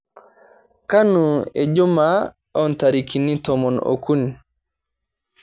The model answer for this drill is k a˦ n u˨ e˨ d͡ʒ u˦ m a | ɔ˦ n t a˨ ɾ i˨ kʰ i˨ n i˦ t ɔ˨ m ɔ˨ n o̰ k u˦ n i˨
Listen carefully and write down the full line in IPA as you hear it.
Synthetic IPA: k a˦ n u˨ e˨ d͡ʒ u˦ m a | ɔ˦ n t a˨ ɾ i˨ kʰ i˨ n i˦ t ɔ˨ m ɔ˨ n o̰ k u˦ n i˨